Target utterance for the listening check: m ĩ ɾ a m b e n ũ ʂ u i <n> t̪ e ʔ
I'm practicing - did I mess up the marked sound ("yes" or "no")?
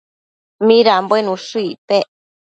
yes